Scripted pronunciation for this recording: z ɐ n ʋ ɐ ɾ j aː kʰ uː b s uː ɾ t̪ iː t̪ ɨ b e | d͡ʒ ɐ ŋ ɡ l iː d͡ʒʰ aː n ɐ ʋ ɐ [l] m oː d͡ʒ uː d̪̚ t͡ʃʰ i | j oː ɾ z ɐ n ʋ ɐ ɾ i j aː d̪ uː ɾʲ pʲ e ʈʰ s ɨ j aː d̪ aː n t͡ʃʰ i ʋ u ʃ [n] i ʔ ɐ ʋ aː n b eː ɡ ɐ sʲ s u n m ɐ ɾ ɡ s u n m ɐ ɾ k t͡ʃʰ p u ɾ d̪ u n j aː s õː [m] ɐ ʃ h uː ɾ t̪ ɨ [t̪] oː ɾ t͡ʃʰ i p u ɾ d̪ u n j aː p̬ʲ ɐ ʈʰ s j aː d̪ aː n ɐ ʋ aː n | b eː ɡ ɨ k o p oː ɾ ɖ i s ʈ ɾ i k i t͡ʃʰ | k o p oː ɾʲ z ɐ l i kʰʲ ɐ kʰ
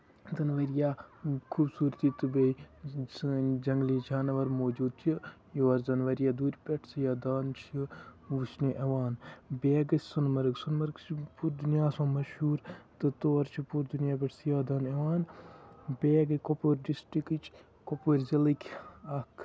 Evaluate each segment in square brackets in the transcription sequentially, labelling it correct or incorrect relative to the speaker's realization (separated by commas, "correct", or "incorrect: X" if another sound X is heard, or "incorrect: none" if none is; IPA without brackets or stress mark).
incorrect: ɾ, correct, correct, correct